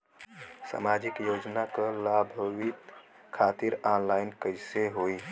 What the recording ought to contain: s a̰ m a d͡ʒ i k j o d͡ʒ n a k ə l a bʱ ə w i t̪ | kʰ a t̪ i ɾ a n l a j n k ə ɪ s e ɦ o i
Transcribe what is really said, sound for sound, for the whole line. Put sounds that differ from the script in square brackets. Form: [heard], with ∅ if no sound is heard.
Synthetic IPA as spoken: s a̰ m a d͡ʒ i k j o d͡ʒ n a k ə l a bʱ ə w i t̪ | kʰ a t̪ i ɾ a n l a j n k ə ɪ s e ɦ o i